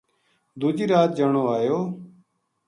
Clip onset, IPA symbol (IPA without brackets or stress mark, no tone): d̪